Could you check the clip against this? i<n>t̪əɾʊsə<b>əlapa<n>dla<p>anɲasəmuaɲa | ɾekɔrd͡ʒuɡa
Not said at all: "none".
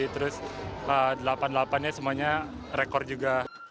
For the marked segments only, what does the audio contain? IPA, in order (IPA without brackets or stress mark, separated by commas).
none, d, n, p